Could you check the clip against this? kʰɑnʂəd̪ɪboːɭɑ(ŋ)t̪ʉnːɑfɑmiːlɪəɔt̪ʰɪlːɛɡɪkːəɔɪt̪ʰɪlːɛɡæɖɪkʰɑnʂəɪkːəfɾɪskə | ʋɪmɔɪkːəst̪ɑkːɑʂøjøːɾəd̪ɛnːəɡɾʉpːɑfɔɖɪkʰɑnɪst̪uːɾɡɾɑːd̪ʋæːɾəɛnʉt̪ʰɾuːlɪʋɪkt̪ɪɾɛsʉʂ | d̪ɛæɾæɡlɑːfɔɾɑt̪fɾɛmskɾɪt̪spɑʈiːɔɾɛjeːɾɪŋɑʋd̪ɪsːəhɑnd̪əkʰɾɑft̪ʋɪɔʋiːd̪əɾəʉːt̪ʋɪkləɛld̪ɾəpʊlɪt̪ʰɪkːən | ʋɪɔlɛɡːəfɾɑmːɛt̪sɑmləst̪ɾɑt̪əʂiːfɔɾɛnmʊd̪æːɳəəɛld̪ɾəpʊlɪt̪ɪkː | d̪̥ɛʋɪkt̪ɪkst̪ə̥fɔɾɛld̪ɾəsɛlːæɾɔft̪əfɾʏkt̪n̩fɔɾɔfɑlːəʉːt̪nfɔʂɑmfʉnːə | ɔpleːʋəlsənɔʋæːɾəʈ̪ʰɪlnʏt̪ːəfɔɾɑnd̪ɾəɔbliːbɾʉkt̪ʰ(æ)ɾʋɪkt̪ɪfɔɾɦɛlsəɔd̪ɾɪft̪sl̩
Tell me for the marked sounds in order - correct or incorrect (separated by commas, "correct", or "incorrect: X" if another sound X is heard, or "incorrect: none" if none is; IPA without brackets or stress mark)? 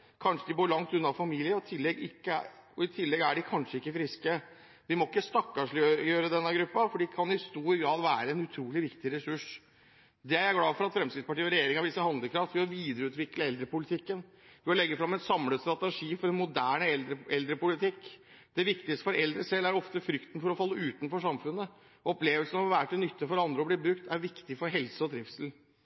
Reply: correct, correct